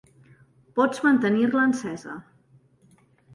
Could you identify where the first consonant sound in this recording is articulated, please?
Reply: labial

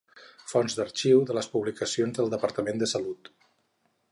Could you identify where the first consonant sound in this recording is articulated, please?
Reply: labial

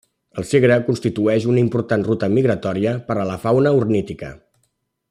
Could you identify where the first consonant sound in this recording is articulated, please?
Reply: alveolar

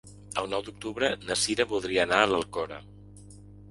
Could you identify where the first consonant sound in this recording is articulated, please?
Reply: alveolar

